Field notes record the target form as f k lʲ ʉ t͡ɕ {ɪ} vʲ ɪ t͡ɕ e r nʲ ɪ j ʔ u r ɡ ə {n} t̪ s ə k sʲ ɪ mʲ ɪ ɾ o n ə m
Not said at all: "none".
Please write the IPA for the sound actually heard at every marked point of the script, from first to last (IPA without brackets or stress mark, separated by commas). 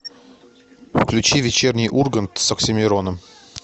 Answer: i, n